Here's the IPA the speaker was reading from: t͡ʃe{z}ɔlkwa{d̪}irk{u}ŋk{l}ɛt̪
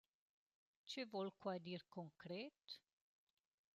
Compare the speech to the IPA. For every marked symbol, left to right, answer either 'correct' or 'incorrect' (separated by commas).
incorrect, correct, incorrect, incorrect